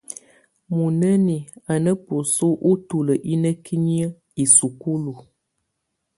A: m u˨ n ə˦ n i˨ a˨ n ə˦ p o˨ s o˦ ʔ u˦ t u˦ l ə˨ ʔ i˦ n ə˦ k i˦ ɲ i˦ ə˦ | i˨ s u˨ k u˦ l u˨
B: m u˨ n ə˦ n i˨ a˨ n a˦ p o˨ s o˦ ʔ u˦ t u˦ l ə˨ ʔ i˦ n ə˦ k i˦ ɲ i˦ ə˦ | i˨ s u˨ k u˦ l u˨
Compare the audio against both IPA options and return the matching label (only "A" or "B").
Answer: A